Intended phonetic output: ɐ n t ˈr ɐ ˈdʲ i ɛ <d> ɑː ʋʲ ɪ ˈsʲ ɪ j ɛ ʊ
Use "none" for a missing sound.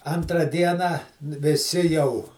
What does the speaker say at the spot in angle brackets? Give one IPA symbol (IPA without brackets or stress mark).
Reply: n